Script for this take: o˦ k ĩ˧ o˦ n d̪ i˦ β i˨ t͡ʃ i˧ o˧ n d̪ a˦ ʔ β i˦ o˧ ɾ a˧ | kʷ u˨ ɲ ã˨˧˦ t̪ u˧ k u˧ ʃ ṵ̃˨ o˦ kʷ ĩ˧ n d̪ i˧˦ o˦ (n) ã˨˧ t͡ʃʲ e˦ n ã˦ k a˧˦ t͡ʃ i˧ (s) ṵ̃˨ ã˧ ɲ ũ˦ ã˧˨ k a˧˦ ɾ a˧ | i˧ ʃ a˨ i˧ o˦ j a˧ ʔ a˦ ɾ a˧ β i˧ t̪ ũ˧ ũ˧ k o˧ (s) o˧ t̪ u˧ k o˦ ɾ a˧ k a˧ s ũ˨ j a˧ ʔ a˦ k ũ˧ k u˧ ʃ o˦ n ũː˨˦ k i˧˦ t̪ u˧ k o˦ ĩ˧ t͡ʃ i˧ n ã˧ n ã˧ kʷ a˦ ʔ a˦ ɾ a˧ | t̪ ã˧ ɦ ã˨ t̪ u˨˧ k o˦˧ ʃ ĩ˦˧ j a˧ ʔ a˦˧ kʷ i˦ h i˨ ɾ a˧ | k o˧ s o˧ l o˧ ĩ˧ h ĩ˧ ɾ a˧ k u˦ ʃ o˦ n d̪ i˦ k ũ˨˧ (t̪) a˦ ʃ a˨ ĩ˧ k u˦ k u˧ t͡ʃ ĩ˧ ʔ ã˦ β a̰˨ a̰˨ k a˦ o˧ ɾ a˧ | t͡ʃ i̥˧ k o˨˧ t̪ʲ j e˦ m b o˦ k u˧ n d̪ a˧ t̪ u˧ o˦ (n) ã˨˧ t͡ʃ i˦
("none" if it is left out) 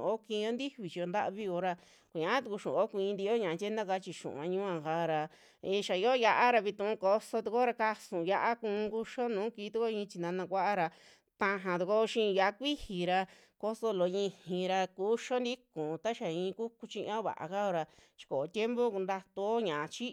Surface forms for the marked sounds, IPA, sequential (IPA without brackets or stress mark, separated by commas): ɲ, ʃ, s, t̪, ɲ